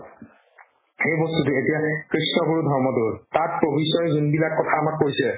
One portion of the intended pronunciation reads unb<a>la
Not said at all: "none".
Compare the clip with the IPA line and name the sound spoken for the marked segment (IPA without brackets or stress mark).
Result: i